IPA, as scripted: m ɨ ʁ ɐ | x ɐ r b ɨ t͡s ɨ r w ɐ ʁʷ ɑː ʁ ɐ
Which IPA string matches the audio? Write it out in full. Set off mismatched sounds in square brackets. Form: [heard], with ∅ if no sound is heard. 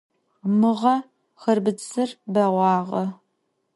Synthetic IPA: m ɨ ʁ ɐ | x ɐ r b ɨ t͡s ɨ r [b] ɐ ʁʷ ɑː ʁ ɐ